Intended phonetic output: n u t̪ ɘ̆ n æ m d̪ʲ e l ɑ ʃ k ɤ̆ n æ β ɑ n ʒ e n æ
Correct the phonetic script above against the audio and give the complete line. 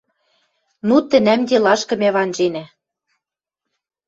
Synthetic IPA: n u t̪ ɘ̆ n æ m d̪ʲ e l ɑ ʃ k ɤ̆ m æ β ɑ n ʒ e n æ